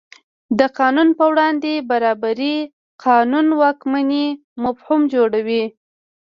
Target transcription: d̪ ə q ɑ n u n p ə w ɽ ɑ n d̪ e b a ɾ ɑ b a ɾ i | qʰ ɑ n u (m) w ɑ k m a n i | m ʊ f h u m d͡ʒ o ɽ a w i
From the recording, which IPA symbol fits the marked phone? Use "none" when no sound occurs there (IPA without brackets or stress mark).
n